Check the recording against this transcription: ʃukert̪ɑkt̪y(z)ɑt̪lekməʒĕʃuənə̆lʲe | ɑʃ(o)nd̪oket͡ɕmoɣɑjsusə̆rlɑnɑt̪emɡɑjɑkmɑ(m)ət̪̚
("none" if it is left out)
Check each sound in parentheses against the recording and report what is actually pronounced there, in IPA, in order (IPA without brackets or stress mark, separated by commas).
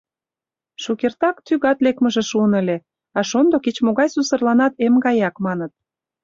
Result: ɣ, o, n